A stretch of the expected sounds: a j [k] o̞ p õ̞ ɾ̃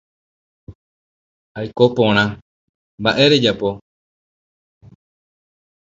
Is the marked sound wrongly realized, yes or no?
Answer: no